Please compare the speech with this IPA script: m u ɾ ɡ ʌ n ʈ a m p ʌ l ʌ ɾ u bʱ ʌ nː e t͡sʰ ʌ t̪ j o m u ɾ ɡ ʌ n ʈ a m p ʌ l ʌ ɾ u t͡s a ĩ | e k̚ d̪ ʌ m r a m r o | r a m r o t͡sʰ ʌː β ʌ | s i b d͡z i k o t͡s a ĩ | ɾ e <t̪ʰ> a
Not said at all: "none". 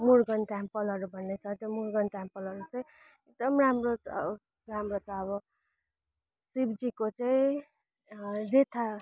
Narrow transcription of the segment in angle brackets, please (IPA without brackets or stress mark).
t̪ʰ